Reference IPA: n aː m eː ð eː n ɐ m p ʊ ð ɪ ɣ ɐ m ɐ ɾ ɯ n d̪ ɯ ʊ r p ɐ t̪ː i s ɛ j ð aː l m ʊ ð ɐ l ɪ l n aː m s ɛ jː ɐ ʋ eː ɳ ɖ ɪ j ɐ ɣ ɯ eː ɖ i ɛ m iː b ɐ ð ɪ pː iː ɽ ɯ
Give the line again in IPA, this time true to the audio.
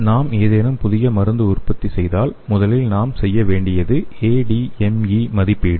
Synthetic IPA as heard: n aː m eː ð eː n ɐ m p ʊ ð ɪ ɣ ɐ m ɐ ɾ ɯ n d̪ ɯ ʊ r p ɐ t̪ː i s ɛ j ð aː l m ʊ ð ɐ l ɪ l n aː m s ɛ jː ɐ ʋ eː ɳ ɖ ɪ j ɐ ð ɯ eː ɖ i ɛ m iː m ɐ ð ɪ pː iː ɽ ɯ